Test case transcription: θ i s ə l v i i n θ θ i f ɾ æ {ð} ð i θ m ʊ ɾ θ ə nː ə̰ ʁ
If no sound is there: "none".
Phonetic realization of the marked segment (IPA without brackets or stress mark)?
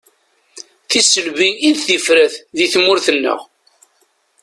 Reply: θ